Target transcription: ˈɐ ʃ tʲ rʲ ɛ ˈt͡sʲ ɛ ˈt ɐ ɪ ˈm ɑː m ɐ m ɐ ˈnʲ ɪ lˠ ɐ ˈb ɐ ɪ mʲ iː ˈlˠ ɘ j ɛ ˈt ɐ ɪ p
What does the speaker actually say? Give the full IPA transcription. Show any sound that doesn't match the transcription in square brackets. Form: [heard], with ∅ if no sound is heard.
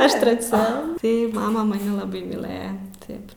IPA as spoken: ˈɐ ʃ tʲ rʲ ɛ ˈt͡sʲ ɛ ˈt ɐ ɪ ˈm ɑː m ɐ m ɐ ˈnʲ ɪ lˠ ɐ ˈb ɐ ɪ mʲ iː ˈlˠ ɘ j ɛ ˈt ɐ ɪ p